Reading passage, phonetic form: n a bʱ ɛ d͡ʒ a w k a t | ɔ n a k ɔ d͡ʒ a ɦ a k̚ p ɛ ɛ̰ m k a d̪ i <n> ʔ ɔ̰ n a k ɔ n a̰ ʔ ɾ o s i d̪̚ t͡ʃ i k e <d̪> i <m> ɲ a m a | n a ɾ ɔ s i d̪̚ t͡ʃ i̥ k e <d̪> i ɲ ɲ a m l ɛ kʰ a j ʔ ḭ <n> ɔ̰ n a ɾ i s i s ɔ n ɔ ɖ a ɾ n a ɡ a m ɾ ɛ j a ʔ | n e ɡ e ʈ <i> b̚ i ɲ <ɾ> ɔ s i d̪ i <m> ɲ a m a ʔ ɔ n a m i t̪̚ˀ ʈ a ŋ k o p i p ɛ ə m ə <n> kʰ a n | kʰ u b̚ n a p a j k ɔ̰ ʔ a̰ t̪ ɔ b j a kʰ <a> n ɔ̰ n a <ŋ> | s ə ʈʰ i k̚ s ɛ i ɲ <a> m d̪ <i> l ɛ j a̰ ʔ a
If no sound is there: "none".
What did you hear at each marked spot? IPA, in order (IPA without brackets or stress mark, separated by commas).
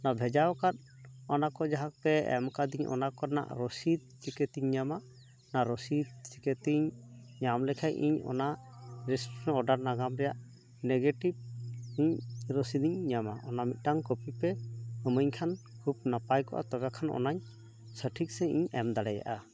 ɲ, t̪, ɲ, t̪, ɲ, i, ɾ, ɲ, ɲ, a, ɲ, ɛ, a